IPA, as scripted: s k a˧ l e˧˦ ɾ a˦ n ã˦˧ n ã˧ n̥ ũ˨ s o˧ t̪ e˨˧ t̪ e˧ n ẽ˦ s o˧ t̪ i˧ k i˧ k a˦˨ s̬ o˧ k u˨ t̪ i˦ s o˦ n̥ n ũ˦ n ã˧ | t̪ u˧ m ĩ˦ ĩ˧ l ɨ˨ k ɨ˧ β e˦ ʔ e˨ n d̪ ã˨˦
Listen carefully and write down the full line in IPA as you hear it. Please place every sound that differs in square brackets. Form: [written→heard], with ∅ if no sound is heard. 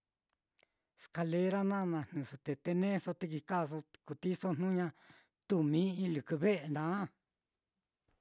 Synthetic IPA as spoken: s k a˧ l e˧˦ ɾ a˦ n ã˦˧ n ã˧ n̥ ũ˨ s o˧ t̪ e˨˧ t̪ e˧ n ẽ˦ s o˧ t̪ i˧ k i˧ k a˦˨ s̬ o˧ k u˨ t̪ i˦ s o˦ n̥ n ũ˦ [n→ɲ] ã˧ | t̪ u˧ m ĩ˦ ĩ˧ l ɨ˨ k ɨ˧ β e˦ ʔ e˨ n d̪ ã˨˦

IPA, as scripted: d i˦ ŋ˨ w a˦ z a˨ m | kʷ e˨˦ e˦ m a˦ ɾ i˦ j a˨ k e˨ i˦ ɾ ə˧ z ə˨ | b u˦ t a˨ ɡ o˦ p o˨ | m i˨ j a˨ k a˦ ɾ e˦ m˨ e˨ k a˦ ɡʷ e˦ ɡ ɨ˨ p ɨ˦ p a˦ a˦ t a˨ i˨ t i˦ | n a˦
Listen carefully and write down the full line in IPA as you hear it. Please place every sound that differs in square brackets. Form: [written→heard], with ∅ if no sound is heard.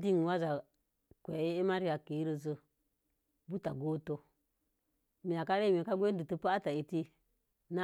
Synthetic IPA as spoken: d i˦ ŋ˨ w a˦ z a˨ [m→∅] | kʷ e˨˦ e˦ m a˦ ɾ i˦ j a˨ k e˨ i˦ ɾ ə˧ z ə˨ | b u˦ t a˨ ɡ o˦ [p→t] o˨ | m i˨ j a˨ k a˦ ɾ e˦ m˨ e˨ k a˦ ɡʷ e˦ [ɡ→d] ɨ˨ [p→t] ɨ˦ p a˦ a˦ t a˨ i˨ t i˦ | n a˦

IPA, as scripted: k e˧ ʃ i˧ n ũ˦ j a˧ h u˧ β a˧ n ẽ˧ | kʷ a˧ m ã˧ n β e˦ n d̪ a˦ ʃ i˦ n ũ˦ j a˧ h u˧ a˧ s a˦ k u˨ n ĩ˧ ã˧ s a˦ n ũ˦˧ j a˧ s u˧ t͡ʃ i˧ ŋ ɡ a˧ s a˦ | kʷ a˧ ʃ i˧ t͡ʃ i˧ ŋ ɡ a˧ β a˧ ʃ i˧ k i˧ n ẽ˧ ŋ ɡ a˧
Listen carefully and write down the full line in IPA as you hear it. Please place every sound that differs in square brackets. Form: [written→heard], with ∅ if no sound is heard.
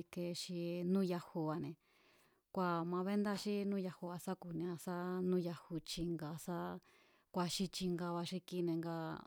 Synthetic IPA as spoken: k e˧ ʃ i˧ n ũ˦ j a˧ h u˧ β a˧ n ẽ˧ | kʷ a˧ m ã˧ [n→∅] β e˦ n d̪ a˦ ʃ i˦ n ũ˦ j a˧ h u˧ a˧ s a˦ k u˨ n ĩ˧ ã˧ s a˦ n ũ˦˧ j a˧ [s→h] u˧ t͡ʃ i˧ ŋ ɡ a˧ s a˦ | kʷ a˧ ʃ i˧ t͡ʃ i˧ ŋ ɡ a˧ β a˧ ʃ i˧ k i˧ n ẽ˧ ŋ ɡ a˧

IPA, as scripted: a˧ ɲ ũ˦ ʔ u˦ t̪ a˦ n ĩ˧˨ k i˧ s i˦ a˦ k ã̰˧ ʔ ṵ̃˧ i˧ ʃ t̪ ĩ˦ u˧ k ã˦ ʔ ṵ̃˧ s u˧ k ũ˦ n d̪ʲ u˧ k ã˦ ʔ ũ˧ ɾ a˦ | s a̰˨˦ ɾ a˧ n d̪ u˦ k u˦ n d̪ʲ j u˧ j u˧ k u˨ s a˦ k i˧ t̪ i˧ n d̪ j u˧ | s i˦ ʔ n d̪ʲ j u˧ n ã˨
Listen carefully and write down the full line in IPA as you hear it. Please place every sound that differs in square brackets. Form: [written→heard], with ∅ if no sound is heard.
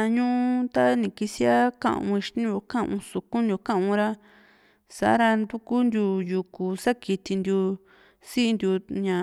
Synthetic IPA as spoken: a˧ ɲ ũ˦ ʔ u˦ t̪ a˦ n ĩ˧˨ k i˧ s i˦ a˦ k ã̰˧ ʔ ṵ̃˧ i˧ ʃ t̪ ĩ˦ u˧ k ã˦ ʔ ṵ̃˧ s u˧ k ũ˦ n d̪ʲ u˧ k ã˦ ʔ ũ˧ ɾ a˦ | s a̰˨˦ ɾ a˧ n d̪ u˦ k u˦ n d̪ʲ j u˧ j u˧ k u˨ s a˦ k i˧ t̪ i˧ n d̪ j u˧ | s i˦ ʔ n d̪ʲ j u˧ [n→ɲ] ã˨

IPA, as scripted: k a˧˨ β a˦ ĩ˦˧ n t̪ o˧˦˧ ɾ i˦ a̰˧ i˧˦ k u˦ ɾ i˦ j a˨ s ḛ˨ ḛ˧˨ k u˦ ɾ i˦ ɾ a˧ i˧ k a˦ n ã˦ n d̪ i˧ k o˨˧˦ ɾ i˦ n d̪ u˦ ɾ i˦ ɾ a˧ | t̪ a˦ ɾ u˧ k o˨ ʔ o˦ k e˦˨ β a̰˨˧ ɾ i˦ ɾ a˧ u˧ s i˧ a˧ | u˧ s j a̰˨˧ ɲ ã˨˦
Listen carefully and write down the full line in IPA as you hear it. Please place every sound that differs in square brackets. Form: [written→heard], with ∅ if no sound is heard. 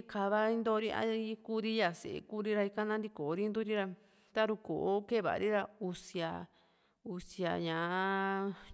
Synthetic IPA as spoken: k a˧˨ β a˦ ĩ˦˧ n [t̪→d̪] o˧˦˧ ɾ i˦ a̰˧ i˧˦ k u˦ ɾ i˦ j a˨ s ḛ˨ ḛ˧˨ k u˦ ɾ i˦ ɾ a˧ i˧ k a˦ n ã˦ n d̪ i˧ k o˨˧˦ ɾ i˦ n d̪ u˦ ɾ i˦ ɾ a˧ | t̪ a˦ ɾ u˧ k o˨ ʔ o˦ k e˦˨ β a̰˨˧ ɾ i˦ ɾ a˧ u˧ s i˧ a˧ | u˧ s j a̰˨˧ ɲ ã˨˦

